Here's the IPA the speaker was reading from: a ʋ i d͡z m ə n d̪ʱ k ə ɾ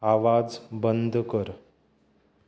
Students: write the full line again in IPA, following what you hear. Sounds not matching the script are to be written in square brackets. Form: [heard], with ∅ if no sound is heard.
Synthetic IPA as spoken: a ʋ [a] d͡z [b] ə n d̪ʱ k ə ɾ